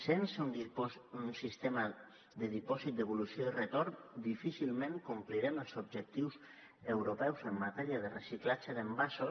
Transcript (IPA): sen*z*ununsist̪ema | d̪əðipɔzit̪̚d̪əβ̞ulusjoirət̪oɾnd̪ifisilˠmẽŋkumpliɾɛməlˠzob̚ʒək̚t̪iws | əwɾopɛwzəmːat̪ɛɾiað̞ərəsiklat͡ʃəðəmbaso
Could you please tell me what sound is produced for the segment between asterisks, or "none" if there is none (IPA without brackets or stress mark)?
s